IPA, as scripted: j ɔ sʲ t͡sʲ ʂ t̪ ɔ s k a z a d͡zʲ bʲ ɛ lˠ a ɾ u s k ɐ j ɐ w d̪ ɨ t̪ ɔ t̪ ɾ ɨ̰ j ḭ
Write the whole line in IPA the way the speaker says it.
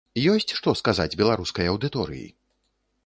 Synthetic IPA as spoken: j ɔ sʲ t͡sʲ ʂ t̪ ɔ s k a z a d͡zʲ bʲ ɛ lˠ a ɾ u s k ɐ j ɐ w d̪ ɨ t̪ ɔ ɾ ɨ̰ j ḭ